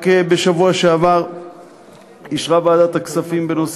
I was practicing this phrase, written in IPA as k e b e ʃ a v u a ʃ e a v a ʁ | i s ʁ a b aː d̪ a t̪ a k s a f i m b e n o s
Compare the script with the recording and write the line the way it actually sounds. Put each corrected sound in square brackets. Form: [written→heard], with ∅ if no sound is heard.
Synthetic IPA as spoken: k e b e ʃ a v u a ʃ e a v a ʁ | i [s→ʃ] ʁ a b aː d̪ a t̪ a k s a f i m b e n o s